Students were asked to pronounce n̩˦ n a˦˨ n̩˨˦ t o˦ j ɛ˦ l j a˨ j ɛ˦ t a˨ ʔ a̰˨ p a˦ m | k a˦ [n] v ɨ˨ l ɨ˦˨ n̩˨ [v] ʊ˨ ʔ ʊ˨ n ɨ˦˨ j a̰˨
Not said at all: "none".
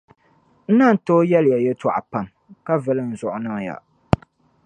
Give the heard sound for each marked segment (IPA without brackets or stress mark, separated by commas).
none, z